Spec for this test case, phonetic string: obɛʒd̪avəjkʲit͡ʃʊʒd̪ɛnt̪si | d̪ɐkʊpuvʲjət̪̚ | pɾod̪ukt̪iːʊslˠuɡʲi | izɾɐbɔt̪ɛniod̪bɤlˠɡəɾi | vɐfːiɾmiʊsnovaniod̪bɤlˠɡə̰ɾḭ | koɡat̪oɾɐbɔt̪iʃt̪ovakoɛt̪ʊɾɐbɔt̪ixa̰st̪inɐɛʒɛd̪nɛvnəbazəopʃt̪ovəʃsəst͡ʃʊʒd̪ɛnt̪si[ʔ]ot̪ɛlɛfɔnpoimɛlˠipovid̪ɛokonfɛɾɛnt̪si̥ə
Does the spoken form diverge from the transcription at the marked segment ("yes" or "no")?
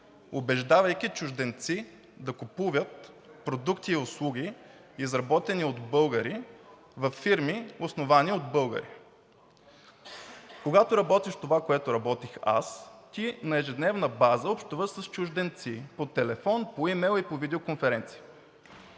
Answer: yes